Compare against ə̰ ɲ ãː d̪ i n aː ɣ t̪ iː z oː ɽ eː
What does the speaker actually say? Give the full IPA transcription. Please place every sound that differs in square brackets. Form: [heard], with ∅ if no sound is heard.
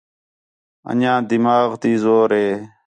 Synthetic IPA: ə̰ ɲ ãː d̪ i [m] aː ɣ t̪ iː z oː [ɾ] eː